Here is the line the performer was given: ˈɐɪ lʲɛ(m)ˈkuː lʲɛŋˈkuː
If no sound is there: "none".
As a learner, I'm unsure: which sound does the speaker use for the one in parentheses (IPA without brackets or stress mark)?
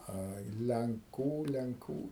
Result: ŋ